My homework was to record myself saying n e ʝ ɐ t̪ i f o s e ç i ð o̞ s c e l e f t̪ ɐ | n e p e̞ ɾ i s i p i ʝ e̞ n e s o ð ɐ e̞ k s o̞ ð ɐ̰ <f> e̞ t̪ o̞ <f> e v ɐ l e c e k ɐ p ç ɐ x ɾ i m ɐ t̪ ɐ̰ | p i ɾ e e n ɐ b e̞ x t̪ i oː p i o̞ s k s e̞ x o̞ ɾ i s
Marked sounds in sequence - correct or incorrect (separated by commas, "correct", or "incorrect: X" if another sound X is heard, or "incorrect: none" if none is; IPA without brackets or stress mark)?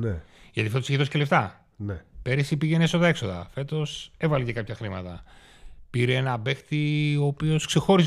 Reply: correct, incorrect: s